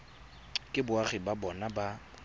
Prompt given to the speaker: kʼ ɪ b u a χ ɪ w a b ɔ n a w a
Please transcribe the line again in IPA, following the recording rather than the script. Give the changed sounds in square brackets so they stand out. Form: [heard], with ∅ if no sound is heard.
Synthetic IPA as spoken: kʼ ɪ b [ʊ] a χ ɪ [b] a b ɔ n a [b] a